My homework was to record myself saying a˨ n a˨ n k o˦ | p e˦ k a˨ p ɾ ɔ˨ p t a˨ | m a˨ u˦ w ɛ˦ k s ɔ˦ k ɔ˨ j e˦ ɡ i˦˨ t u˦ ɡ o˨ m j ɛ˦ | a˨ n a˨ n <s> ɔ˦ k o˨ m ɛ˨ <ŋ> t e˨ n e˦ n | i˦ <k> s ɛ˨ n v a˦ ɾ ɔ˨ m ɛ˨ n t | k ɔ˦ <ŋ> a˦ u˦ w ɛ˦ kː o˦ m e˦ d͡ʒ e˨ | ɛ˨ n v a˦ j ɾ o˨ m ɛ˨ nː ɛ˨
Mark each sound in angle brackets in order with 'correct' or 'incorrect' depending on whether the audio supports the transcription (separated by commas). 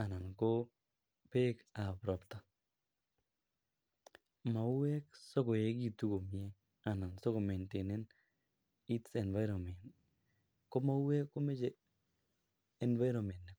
correct, incorrect, incorrect, incorrect